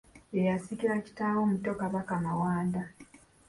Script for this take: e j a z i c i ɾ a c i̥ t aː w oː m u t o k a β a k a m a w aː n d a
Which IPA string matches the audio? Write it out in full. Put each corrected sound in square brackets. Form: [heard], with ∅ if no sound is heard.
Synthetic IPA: e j a [s] i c i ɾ a c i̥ t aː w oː m u t o k a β a k a m a w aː n d a